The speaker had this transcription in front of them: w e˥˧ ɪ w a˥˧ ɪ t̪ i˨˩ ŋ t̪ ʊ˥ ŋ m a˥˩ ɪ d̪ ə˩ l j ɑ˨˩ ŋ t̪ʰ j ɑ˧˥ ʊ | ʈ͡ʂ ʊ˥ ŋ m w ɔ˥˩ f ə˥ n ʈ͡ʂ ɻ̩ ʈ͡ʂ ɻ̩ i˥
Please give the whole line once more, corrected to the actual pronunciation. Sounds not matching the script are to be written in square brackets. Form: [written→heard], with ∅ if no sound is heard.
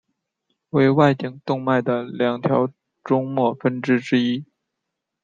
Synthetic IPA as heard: w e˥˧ ɪ w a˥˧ ɪ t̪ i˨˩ ŋ t̪ [ʊ˥→ʊ˥˧] ŋ m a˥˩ ɪ d̪ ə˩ l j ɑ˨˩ ŋ t̪ʰ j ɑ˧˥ ʊ | ʈ͡ʂ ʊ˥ ŋ m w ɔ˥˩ f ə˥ n ʈ͡ʂ ɻ̩ ʈ͡ʂ ɻ̩ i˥